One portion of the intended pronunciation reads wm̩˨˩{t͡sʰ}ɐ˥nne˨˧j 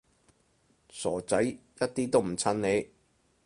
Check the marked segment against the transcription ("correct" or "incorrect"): correct